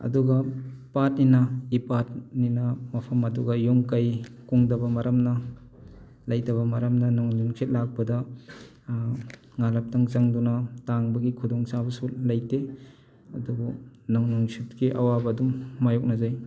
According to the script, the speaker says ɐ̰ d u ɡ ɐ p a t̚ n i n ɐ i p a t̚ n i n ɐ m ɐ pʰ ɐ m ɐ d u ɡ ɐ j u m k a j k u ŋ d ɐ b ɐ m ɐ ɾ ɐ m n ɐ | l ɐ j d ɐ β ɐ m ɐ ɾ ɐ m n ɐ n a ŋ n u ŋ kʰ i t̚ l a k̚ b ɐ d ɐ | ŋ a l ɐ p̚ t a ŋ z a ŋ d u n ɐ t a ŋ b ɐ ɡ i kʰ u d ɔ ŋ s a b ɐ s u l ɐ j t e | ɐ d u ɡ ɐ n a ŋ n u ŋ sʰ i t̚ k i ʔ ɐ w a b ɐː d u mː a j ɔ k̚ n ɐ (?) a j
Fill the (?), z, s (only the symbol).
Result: z